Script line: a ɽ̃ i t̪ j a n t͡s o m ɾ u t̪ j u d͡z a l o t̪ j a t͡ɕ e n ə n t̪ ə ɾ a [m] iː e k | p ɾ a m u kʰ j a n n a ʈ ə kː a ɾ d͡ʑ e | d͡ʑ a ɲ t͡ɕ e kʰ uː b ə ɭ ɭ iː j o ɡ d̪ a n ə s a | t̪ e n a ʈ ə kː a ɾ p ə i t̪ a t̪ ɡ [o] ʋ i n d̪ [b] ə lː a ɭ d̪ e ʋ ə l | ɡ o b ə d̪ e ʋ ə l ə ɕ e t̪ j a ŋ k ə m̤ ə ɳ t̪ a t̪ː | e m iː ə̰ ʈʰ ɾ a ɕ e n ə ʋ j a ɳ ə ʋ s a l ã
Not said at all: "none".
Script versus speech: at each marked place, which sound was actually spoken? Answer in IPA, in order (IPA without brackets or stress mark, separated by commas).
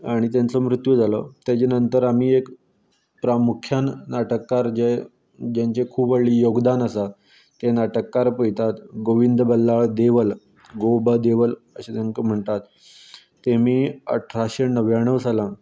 m, o, b